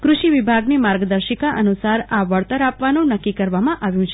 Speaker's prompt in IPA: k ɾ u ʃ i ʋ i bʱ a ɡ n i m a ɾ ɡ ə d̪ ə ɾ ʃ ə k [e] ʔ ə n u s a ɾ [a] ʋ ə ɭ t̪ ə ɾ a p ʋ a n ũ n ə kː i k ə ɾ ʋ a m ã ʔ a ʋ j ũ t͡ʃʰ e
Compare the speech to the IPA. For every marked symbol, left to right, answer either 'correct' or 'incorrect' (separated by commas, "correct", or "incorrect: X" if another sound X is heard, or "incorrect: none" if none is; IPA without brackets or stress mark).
incorrect: a, correct